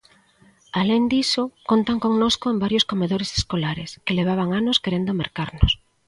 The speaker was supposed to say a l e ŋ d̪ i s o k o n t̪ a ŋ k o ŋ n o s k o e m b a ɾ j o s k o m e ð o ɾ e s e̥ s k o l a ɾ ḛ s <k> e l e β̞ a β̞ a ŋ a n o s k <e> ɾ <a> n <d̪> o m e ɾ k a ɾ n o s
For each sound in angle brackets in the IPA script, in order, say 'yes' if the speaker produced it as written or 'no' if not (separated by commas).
yes, yes, no, yes